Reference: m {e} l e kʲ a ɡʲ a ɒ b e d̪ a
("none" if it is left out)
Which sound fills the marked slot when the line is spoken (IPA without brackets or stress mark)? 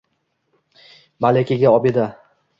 a